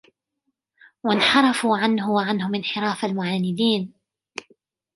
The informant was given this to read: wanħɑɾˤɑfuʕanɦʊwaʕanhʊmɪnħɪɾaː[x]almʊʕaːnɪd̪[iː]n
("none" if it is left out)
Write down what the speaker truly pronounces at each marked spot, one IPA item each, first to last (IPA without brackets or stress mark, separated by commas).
f, iː